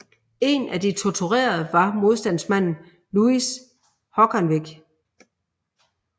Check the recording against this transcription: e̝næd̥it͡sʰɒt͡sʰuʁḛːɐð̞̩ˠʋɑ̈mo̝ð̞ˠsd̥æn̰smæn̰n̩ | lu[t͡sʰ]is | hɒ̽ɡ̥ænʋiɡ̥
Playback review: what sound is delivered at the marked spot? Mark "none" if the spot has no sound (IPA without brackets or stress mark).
none